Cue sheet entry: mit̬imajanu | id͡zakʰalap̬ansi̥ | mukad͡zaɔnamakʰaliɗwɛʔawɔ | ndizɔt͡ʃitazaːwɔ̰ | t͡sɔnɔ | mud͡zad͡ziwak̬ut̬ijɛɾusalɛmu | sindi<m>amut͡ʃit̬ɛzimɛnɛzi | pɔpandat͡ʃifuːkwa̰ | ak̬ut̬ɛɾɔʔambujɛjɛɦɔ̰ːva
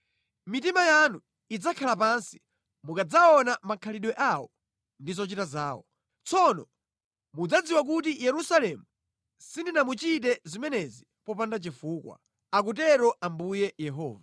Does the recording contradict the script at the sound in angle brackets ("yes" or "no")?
yes